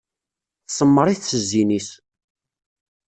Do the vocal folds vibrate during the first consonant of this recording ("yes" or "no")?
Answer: no